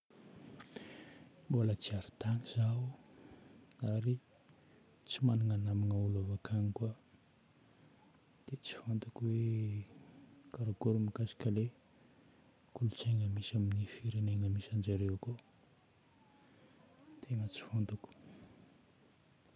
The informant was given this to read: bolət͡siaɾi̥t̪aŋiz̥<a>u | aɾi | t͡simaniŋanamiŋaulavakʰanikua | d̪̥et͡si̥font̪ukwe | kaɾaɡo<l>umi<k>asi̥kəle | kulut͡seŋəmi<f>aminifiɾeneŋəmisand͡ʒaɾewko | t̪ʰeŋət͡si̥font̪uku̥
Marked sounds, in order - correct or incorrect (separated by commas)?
correct, incorrect, correct, incorrect